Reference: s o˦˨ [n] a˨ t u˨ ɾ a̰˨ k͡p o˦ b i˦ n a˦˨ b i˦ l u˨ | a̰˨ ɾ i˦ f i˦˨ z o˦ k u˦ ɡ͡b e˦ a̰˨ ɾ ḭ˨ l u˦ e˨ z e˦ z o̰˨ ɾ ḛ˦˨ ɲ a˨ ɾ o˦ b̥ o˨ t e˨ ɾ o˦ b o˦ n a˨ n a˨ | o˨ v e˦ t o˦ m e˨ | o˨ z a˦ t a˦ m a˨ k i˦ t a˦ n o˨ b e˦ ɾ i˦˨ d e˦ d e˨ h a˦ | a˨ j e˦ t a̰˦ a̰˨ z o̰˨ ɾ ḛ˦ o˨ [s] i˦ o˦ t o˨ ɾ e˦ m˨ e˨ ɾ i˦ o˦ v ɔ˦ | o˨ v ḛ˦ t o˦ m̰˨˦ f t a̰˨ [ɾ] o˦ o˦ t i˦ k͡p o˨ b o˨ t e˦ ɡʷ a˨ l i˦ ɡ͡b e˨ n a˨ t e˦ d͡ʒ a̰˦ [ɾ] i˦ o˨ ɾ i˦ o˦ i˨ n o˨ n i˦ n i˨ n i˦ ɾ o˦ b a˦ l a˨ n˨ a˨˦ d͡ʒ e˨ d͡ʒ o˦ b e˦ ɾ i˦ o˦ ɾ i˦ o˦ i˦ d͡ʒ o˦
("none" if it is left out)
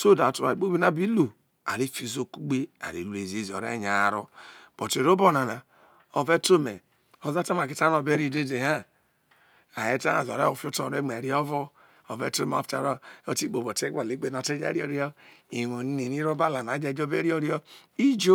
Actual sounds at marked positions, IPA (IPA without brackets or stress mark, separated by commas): d, f, ɾ, ɾ